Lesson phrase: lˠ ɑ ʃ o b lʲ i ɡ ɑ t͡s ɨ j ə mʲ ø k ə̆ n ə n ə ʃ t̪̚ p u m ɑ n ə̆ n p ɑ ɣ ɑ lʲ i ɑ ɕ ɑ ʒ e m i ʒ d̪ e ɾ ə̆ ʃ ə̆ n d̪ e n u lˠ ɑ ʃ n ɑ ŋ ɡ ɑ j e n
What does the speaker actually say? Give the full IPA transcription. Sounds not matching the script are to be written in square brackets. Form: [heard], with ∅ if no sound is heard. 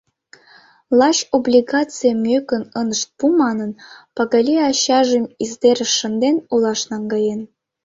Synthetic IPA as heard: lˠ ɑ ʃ o b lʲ i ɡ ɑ t͡s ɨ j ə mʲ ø k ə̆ n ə n ə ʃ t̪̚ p u m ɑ n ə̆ n p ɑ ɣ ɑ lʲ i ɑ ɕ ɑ ʒ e m i [z] d̪ e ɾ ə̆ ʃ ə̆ n d̪ e n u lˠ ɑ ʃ n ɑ ŋ ɡ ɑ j e n